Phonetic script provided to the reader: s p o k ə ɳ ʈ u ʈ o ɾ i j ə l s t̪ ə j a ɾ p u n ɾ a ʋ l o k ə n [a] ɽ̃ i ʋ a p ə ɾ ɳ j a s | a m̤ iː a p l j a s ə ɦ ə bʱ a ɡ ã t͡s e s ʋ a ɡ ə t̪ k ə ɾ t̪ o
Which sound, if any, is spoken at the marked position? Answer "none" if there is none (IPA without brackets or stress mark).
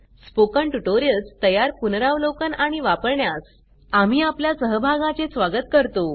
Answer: a